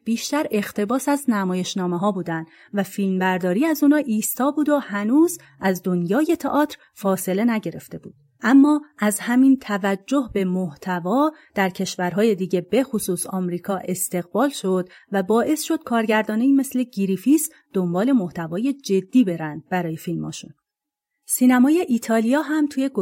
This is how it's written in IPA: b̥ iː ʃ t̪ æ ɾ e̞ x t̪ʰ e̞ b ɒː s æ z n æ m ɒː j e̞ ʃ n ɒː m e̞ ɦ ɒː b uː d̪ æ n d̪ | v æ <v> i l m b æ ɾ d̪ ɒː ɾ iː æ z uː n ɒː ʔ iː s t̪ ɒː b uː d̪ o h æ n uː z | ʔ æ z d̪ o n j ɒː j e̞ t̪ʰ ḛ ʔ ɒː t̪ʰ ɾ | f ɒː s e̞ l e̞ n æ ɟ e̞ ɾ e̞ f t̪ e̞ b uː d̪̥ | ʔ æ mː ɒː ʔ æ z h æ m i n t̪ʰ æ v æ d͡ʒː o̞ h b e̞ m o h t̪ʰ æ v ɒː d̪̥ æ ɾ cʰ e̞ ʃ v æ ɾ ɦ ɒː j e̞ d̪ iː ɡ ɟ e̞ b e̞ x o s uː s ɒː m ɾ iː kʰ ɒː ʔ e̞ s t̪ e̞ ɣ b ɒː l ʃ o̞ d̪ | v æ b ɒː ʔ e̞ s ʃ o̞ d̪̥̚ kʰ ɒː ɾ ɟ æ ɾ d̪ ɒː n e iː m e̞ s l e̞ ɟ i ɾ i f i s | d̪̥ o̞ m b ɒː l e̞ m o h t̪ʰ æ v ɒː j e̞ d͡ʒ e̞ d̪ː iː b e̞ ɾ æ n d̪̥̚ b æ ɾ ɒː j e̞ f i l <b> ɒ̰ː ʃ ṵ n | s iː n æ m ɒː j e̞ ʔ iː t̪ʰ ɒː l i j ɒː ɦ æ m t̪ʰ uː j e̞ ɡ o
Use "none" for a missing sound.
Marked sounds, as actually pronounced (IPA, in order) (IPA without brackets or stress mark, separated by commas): f, m